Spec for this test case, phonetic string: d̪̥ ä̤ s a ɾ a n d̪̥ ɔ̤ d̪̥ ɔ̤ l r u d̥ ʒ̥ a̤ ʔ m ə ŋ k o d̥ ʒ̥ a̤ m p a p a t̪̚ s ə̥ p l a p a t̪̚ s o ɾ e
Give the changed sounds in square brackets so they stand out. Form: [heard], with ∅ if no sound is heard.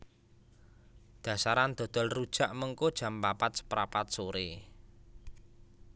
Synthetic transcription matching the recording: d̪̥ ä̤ s a ɾ a n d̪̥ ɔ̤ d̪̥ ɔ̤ l r u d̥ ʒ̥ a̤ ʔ m ə ŋ k o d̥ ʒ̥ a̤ m p a p a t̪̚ s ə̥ p [ɾ] a p a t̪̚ s o ɾ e